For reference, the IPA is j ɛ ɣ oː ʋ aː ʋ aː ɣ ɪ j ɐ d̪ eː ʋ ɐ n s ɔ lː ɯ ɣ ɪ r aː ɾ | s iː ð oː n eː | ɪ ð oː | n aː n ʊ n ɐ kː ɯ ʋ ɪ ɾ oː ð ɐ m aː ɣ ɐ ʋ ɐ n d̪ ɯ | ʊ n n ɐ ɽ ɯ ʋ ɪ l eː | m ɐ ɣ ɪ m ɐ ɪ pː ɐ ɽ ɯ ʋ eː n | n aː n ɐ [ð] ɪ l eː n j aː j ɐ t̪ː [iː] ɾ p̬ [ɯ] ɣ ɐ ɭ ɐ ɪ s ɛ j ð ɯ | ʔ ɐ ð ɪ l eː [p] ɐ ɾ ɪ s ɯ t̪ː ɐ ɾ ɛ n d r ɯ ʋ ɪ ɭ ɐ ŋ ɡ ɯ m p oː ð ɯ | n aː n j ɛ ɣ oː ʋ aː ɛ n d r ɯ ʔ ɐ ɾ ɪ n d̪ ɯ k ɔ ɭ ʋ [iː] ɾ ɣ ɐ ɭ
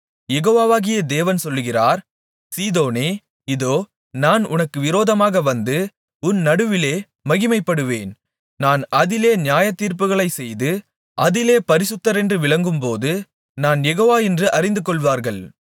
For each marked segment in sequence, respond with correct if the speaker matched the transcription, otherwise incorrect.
correct, correct, correct, correct, incorrect

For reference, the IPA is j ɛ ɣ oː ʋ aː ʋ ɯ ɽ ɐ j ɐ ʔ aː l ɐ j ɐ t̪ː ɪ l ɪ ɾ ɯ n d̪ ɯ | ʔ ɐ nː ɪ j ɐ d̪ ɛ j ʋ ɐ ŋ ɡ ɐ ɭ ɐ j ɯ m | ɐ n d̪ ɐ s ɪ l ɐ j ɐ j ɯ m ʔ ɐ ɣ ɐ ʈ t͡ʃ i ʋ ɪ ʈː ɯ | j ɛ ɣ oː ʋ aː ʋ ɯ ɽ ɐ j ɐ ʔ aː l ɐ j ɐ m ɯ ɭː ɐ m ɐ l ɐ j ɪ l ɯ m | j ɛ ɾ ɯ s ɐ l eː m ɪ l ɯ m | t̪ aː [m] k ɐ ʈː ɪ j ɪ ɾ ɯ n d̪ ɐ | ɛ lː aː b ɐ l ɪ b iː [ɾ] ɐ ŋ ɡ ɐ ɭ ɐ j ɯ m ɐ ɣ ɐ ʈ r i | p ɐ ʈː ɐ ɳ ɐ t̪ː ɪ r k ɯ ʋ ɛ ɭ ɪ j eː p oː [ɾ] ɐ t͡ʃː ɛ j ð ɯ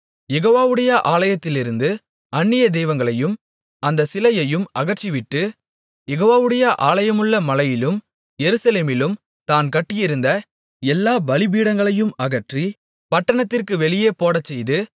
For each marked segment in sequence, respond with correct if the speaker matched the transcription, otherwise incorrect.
incorrect, incorrect, incorrect

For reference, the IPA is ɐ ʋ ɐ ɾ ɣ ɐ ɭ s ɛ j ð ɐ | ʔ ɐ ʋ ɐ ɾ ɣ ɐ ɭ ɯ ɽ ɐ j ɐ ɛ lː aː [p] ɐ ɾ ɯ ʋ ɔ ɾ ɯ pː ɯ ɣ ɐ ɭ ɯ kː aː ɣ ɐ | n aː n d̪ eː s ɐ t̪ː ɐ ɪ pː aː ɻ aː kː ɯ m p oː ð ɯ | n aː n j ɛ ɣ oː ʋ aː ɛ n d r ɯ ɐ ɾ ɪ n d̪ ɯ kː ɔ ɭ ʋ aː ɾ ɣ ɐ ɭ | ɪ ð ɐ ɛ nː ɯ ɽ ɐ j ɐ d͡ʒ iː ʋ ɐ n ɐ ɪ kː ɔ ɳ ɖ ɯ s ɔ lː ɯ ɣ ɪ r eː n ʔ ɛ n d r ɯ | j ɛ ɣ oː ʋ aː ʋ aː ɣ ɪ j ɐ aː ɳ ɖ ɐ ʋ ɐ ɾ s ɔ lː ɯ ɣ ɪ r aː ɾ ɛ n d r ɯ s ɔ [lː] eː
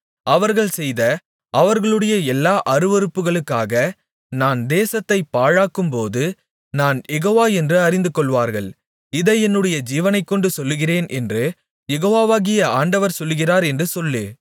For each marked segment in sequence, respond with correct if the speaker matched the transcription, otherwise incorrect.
incorrect, correct

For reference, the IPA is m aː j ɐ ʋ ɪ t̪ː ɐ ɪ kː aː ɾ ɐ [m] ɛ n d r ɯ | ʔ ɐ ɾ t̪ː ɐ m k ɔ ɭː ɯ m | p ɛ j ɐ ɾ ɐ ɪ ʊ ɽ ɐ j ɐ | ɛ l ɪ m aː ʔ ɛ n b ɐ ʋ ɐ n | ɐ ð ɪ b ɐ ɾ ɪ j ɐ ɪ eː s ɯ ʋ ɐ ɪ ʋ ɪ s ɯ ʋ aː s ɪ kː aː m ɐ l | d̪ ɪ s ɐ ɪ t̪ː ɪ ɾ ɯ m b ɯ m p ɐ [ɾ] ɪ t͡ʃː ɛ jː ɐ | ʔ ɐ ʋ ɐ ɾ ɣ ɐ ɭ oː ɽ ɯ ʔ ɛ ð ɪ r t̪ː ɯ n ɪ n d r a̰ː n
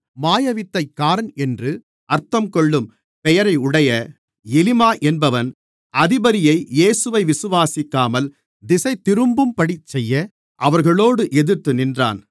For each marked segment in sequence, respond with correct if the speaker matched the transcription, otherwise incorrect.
incorrect, incorrect

